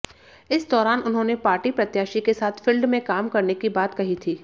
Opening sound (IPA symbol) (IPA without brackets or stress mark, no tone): ɪ